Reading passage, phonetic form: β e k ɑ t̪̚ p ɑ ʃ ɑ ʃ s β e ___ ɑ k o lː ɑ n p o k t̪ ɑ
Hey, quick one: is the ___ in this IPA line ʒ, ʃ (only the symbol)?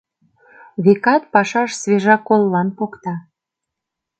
ʒ